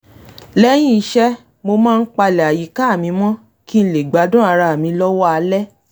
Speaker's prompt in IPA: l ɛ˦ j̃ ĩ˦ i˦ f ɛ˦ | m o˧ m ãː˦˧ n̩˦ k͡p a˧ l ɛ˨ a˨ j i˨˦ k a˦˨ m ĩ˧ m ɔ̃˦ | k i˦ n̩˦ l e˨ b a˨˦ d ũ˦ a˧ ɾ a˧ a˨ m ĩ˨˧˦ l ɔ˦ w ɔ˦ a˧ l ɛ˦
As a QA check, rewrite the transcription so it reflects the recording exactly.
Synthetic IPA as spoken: l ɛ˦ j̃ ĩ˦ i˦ ʃ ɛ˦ | m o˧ m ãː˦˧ n̩˦ k͡p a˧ l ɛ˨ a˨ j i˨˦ k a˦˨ m ĩ˧ m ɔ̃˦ | k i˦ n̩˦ l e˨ ɡ͡b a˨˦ d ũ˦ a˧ ɾ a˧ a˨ m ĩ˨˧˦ l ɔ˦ w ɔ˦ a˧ l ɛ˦

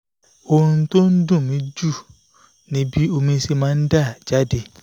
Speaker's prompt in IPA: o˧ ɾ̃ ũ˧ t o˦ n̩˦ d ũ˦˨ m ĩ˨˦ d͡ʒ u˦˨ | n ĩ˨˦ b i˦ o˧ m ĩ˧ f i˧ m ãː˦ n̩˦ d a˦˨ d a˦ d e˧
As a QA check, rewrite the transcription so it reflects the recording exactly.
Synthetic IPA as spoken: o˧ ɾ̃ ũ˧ t o˦ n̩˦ d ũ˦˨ m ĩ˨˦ d͡ʒ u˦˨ | n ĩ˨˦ b i˦ o˧ m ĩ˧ s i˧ m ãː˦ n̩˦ d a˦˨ d͡ʒ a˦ d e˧

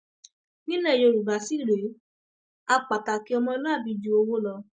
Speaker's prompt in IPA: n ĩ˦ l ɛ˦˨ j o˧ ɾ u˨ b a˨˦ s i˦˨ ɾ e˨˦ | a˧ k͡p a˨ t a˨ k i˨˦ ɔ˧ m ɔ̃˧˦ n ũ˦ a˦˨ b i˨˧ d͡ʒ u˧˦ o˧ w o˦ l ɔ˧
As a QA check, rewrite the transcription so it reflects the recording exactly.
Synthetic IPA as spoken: n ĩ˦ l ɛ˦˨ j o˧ ɾ u˨ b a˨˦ s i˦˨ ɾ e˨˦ | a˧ k͡p a˨ t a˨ k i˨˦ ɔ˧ m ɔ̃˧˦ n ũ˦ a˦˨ b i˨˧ d͡ʒ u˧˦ o˧ w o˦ l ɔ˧

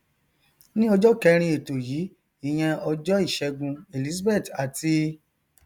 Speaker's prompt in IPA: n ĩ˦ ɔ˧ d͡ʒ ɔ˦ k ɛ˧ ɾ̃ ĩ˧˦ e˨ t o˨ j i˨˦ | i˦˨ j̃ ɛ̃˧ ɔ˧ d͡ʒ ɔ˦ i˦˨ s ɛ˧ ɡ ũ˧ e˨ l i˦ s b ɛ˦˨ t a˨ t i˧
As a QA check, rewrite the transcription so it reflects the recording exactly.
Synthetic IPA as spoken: n ĩ˦ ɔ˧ d͡ʒ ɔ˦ k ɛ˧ ɾ̃ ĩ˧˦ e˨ t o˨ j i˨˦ | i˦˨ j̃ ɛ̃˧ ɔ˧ d͡ʒ ɔ˦ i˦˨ ʃ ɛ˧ ɡ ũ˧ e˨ l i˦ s b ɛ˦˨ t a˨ t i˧

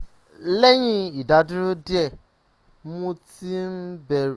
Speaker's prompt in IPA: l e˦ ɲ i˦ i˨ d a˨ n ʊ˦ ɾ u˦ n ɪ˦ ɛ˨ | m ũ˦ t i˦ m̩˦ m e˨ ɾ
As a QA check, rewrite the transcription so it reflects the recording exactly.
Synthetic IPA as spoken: l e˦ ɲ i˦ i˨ d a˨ d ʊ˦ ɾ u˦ d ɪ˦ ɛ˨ | m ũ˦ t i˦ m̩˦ b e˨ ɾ

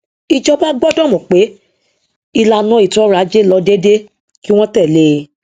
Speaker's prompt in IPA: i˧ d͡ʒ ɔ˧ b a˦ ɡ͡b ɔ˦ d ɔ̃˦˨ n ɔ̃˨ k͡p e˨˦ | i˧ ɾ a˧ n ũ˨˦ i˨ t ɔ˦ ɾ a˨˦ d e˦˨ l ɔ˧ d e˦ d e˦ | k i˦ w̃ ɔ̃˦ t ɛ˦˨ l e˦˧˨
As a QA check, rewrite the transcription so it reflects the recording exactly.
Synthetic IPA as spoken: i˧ d͡ʒ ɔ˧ b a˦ ɡ͡b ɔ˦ d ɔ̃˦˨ m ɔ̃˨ k͡p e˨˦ | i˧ l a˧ n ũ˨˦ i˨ t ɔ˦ ɾ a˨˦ d͡ʒ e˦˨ l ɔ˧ d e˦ d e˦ | k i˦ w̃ ɔ̃˦ t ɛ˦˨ l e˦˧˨

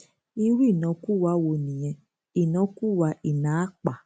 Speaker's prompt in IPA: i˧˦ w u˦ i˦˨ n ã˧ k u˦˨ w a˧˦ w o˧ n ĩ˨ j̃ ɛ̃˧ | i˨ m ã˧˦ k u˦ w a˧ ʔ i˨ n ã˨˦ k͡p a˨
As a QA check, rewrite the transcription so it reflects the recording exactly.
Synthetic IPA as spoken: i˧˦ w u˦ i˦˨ n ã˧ k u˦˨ w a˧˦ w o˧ n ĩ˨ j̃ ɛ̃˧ | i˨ n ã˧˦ k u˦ w a˧ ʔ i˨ n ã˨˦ k͡p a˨

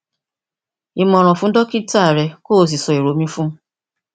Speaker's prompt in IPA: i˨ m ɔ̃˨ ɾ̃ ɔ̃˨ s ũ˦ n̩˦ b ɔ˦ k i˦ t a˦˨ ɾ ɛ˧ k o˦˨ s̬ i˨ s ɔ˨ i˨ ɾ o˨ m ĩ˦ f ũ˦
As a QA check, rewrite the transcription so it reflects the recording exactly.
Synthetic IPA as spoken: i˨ m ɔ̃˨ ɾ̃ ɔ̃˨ f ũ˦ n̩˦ d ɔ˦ k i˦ t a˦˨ ɾ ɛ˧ k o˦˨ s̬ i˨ s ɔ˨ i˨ ɾ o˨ m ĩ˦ f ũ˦

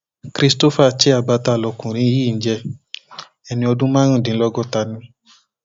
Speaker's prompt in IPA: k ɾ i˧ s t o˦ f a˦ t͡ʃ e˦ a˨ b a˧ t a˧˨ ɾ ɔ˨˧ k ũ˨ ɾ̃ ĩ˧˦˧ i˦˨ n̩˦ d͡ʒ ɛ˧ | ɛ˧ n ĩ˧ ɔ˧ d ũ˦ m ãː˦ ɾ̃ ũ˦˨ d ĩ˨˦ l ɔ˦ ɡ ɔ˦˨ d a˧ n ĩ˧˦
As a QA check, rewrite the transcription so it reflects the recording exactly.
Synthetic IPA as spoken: k ɾ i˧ s t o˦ f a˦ t͡ʃ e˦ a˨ b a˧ t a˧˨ l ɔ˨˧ k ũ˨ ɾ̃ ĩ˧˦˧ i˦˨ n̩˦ d͡ʒ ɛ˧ | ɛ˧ n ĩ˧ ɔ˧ d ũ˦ m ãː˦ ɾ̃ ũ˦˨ d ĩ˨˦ l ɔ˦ ɡ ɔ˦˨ t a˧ n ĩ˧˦

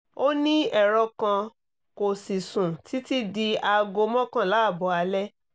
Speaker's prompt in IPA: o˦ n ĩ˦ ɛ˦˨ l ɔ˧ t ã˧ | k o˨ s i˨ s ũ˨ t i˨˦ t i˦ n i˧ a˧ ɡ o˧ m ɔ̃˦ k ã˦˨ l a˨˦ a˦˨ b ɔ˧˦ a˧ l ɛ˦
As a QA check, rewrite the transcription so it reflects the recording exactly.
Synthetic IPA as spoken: o˦ n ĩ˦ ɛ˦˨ ɾ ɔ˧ k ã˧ | k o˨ s i˨ s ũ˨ t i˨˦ t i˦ d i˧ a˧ ɡ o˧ m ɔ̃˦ k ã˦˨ l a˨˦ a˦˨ b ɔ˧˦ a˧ l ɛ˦

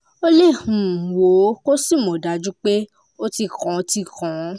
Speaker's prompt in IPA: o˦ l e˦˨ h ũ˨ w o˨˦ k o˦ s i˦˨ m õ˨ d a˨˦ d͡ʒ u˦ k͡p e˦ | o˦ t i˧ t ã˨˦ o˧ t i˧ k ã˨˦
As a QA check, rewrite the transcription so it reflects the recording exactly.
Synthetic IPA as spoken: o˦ l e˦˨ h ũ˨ w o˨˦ k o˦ s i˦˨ m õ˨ d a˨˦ d͡ʒ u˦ k͡p e˦ | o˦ t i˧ k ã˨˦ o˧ t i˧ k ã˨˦

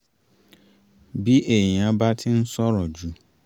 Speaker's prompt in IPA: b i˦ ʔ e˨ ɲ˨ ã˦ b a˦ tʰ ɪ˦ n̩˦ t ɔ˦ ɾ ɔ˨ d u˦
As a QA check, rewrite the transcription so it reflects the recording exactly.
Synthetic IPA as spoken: b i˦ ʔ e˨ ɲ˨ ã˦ b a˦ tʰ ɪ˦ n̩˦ s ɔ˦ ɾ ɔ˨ d͡ʒ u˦

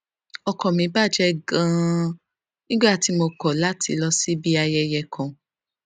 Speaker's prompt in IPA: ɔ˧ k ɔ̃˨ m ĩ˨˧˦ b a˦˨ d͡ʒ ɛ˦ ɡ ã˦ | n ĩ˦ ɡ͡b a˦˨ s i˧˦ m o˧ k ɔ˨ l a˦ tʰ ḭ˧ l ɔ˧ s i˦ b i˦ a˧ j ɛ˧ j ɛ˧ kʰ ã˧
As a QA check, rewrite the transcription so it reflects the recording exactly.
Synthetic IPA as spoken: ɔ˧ k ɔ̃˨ m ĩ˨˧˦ b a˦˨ d͡ʒ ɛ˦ ɡ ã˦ | n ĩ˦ ɡ͡b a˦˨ t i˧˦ m o˧ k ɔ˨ l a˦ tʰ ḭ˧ l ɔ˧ s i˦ b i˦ a˧ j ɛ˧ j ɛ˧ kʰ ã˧

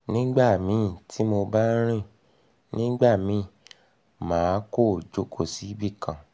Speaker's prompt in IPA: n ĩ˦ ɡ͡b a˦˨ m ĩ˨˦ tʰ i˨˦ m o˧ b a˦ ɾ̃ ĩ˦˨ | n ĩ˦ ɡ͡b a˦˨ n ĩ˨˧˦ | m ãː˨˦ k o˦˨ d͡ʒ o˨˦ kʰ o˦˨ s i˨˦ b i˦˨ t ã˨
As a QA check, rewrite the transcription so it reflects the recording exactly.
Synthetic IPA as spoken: n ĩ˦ ɡ͡b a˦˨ m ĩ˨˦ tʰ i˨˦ m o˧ b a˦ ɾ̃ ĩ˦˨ | n ĩ˦ ɡ͡b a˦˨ m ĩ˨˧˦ | m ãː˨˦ k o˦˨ d͡ʒ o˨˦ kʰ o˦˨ s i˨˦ b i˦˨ k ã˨

